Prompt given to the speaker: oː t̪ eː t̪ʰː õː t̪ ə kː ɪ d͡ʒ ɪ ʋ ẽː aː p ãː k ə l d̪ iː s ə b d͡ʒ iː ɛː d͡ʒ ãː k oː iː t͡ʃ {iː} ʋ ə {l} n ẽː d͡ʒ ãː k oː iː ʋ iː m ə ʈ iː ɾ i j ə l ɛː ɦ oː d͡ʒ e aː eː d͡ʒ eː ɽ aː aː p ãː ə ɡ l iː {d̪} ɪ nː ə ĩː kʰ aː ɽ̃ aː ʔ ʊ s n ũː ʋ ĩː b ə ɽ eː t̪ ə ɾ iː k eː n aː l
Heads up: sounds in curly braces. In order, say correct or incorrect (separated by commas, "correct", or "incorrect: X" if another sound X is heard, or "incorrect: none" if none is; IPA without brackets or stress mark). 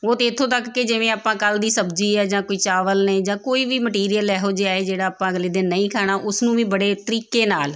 incorrect: aː, correct, correct